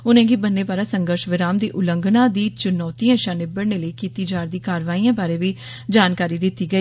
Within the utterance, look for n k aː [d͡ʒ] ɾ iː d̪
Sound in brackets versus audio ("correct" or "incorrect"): incorrect